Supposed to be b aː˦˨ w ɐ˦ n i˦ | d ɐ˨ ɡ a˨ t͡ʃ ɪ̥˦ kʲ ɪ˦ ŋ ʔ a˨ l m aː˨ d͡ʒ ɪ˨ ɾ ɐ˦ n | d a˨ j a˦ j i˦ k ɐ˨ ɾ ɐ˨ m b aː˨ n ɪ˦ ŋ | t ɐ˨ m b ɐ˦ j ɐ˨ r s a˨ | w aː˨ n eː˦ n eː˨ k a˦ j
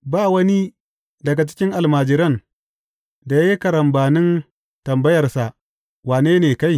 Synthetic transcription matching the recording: b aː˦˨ w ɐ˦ n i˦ | d ɐ˨ ɡ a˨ t͡ʃ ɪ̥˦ kʲ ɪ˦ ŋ ʔ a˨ l m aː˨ d͡ʒ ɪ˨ ɾ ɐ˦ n | d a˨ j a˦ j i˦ k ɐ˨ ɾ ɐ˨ m b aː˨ n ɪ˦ n | t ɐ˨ m b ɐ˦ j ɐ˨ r s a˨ | w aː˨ n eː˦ n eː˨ k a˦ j